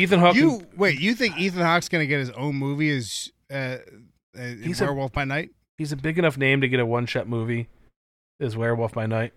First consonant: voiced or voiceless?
voiceless